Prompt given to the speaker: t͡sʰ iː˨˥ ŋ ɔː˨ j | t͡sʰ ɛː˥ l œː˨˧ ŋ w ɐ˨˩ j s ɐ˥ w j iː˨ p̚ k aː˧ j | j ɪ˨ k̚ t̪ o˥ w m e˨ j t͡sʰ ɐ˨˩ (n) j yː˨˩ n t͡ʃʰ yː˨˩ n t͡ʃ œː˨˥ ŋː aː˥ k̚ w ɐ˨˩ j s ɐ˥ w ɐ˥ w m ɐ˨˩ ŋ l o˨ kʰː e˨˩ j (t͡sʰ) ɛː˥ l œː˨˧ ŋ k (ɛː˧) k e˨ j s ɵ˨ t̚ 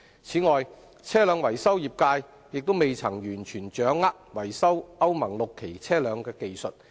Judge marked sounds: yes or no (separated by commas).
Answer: no, yes, yes